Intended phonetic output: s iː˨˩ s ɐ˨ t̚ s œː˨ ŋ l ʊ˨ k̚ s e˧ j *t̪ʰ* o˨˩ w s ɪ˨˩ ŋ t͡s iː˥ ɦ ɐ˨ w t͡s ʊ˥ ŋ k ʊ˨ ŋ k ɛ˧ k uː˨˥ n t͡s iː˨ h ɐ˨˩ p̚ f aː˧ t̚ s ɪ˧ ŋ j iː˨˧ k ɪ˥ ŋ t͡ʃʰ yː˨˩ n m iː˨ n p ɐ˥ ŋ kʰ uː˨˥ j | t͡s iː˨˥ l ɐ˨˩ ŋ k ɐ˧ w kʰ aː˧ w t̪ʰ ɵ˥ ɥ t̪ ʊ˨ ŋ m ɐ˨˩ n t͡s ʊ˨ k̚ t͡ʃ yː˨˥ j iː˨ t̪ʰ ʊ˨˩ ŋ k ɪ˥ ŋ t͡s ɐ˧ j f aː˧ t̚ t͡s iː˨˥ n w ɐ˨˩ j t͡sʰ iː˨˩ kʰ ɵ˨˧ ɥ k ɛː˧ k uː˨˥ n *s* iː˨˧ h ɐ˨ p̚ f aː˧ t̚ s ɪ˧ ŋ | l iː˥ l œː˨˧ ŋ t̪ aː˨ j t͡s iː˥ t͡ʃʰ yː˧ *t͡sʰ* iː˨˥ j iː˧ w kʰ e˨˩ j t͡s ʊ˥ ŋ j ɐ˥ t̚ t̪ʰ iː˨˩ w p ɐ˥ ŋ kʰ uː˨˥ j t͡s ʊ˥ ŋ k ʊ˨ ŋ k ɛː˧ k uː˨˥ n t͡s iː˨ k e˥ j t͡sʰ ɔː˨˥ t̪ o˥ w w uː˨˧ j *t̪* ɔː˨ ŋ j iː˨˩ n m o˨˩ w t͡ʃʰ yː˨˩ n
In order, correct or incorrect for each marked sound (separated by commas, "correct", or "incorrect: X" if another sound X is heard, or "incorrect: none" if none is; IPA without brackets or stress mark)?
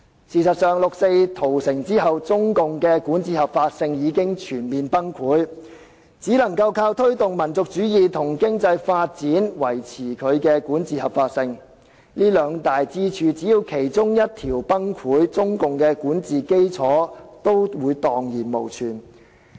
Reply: correct, incorrect: t͡s, incorrect: t͡s, correct